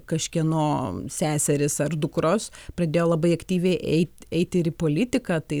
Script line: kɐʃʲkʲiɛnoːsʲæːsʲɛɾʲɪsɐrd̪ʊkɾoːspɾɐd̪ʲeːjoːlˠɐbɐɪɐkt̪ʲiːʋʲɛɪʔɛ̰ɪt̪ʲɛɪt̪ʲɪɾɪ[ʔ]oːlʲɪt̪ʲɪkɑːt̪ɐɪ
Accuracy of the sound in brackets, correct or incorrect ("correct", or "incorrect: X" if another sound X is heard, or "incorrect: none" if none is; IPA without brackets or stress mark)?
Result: incorrect: p